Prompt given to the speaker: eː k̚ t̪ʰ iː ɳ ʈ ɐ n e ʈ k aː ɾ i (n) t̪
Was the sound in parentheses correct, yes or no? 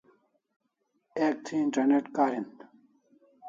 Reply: yes